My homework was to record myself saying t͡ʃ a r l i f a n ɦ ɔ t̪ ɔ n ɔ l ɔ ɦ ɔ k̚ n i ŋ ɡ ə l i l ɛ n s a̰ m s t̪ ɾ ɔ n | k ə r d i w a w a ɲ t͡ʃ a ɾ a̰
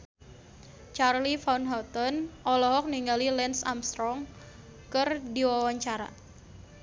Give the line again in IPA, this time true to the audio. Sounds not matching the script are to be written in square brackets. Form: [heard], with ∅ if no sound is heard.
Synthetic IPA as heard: t͡ʃ a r l i f a n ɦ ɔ t̪ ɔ n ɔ l ɔ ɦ ɔ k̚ n i ŋ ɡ [a] l i l ɛ n s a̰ m s t̪ ɾ ɔ [ŋ] | k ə r d i w a w a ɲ t͡ʃ a ɾ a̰